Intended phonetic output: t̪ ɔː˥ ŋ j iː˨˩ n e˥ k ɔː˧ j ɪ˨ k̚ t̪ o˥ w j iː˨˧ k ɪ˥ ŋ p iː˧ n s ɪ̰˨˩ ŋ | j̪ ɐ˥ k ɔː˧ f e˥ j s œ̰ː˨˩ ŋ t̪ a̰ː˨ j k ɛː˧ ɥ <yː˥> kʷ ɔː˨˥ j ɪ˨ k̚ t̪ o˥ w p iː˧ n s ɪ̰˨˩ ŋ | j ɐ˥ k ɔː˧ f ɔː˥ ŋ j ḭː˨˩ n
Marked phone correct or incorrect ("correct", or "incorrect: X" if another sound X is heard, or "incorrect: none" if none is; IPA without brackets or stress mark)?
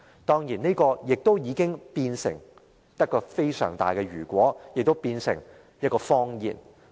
incorrect: yː˨˩